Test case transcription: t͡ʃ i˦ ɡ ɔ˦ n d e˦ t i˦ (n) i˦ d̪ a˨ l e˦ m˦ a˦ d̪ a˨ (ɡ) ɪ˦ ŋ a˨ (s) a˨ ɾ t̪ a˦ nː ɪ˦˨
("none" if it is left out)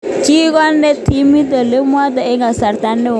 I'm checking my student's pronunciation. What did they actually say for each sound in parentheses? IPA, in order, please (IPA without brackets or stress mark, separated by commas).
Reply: m, none, s